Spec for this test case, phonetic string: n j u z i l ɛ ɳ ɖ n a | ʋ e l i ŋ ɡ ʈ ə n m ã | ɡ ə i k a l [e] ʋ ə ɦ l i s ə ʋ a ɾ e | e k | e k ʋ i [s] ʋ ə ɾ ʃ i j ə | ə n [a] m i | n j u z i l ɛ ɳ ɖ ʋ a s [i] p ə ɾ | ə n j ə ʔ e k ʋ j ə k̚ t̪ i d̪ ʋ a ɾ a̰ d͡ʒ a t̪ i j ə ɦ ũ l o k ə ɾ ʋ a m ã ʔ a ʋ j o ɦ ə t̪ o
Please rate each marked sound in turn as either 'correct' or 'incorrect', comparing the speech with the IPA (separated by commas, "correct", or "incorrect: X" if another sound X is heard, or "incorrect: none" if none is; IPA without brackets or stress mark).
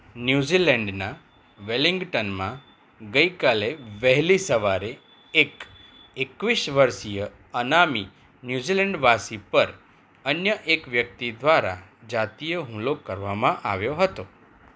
correct, incorrect: ʃ, correct, correct